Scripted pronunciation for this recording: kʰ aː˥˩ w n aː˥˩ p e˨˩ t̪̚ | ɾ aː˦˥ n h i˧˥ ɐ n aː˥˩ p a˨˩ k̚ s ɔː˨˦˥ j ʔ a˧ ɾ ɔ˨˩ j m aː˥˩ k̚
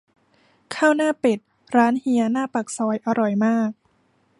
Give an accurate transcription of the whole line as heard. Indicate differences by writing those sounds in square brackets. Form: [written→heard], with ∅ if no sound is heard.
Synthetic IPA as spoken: kʰ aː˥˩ w n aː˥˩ p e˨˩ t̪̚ | ɾ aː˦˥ n h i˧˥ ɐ n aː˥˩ p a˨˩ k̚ s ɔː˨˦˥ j ʔ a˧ ɾ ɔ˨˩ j m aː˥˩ k̚